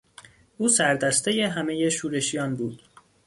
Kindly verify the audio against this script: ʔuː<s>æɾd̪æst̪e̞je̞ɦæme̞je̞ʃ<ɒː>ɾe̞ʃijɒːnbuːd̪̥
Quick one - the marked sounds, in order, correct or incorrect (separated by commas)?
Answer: correct, incorrect